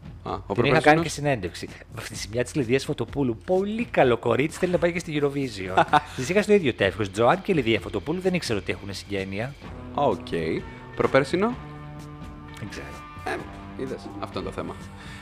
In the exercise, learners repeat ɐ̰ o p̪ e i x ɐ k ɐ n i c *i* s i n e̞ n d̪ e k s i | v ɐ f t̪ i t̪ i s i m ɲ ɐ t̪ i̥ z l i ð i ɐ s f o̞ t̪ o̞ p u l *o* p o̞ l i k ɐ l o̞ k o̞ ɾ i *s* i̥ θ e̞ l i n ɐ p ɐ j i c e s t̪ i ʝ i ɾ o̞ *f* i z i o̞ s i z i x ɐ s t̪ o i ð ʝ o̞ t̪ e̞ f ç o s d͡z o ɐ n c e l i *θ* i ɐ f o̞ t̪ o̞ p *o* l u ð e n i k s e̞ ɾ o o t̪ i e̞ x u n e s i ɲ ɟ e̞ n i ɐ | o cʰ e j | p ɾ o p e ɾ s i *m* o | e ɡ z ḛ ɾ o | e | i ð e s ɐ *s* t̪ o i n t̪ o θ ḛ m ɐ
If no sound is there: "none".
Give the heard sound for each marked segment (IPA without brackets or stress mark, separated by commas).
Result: e, u, t͡s, v, ð, u, n, f